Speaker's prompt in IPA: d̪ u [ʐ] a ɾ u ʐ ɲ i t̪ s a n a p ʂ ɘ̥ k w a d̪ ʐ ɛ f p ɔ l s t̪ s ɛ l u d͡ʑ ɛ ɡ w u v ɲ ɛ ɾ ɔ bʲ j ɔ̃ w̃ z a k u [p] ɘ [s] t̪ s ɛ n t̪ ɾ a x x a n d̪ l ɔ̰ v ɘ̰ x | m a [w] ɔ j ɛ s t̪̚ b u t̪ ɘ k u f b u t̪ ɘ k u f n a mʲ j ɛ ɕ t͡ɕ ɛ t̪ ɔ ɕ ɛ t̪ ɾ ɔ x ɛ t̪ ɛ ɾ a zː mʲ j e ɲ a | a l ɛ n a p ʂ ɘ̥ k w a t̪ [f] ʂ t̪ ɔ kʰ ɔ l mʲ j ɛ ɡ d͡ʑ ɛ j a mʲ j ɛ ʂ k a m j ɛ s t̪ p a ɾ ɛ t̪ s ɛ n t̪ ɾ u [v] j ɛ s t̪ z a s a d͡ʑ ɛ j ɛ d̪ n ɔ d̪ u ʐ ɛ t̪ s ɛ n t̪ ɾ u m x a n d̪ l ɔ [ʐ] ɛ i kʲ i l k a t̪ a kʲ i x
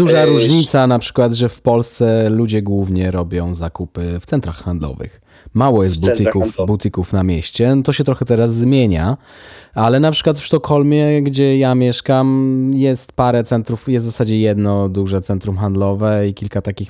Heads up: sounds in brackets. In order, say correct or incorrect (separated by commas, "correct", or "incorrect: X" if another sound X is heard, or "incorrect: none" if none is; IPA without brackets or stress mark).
correct, correct, incorrect: f, correct, correct, incorrect: f, incorrect: v